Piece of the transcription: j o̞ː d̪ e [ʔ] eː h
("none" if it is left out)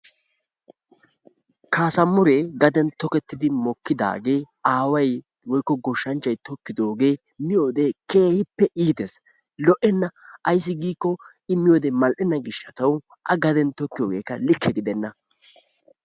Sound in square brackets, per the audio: k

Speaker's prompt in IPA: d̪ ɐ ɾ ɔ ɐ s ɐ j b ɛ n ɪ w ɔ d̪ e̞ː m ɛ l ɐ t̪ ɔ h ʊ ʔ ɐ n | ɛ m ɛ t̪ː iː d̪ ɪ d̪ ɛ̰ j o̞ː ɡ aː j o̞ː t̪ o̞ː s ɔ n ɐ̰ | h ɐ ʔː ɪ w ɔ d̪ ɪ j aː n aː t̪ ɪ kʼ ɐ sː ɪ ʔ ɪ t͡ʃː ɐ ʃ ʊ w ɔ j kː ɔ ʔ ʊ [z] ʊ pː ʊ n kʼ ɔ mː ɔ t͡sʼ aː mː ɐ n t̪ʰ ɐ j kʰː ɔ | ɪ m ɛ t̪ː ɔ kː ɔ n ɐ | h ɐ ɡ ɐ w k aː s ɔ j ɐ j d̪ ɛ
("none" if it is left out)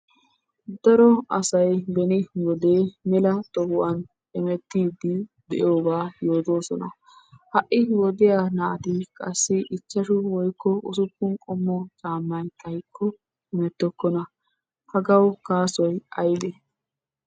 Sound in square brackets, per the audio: s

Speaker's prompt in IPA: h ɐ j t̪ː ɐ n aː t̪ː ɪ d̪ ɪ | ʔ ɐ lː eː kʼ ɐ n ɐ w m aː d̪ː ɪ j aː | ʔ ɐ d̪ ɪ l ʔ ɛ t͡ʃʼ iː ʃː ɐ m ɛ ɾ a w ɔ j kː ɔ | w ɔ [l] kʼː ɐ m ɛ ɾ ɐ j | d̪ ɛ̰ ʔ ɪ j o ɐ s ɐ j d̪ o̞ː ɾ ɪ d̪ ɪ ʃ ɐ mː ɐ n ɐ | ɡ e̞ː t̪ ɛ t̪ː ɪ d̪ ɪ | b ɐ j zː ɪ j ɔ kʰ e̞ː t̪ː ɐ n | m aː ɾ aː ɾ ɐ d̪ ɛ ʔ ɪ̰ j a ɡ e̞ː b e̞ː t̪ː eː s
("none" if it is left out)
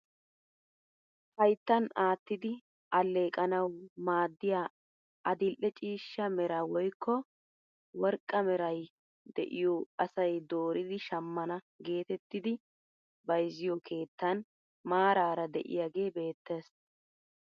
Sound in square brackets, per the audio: ɾ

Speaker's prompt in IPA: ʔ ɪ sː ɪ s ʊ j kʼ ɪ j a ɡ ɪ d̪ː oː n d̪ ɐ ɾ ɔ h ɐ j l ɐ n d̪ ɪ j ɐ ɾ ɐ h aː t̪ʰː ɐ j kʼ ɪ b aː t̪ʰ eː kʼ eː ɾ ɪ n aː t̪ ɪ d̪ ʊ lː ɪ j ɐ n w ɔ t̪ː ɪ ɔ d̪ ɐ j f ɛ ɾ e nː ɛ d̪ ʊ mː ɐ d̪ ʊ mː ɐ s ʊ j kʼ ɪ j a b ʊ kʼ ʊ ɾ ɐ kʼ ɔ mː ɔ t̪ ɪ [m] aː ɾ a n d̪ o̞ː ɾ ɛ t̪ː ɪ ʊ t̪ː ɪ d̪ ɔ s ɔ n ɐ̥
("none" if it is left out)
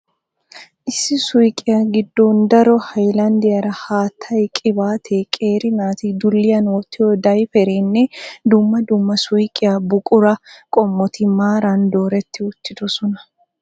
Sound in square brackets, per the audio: m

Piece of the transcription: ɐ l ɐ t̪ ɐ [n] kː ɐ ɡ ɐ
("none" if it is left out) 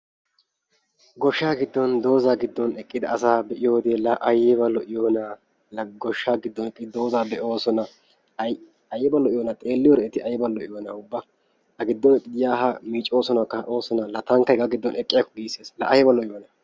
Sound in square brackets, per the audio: ŋ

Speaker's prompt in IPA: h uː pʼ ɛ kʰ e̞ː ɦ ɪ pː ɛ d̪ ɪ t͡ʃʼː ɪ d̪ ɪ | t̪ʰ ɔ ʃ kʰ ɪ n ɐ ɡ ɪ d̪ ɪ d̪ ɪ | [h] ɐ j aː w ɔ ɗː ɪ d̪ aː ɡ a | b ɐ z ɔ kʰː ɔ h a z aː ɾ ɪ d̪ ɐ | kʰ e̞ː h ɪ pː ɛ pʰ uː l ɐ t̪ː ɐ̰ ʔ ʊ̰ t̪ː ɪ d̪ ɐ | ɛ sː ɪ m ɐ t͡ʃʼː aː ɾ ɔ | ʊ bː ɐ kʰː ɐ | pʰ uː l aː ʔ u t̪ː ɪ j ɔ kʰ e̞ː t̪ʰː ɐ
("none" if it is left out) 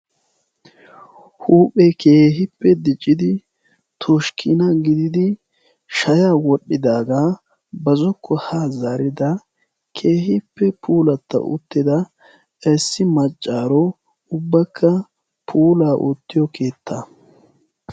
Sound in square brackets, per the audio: ʃ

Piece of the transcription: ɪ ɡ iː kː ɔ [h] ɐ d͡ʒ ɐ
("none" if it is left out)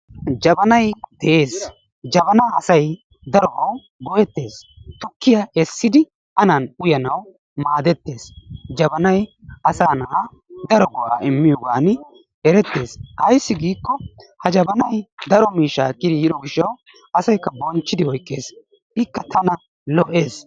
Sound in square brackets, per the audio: h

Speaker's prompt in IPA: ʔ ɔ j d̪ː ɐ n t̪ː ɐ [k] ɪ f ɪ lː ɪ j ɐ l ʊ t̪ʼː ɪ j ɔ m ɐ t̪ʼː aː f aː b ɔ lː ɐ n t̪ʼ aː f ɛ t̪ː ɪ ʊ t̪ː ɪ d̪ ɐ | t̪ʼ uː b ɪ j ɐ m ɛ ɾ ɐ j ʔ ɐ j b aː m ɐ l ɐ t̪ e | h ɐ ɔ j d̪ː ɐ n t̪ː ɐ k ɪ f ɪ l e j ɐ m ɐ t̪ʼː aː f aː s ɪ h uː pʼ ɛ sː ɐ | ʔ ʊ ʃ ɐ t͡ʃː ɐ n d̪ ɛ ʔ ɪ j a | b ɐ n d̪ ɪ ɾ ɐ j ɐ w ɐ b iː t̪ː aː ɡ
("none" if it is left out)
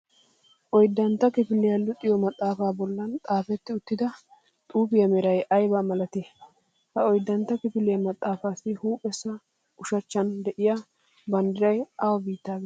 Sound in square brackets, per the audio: k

